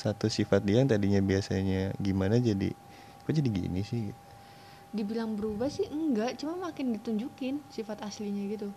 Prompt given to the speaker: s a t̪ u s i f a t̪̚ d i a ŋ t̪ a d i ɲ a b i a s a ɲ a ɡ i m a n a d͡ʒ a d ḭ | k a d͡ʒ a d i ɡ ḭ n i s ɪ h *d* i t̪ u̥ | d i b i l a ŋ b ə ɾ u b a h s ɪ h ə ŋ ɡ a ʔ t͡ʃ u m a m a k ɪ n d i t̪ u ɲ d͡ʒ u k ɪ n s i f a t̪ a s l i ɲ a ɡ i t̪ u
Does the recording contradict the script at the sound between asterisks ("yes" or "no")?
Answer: yes